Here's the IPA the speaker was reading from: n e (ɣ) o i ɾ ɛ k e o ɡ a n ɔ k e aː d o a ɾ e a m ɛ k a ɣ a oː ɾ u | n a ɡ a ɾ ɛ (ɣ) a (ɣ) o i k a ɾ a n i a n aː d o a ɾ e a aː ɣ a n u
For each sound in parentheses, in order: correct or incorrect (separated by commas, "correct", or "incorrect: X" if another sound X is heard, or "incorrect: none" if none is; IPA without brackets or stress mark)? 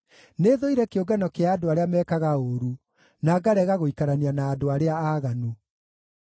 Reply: incorrect: ð, correct, correct